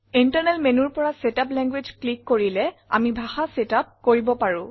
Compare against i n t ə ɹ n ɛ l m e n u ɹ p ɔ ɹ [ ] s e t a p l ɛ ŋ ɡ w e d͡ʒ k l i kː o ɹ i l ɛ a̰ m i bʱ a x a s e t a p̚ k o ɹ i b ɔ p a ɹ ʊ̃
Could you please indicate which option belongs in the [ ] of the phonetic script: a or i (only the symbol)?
a